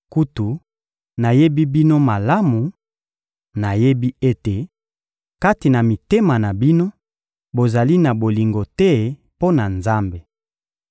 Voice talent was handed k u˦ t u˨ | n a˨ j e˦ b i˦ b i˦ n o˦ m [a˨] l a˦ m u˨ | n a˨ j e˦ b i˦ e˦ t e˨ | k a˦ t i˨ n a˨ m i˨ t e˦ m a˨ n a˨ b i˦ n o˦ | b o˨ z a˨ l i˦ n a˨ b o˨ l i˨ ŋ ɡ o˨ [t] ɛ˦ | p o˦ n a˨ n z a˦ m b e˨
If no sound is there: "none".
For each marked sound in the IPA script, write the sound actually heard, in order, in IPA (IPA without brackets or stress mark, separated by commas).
a˨, t